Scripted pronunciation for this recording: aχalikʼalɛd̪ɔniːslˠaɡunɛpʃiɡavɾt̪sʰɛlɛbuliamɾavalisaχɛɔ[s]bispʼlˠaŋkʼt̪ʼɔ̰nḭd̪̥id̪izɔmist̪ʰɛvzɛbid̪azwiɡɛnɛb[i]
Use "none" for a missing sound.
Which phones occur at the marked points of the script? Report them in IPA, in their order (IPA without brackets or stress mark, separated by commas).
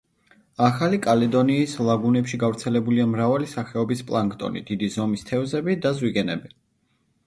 none, i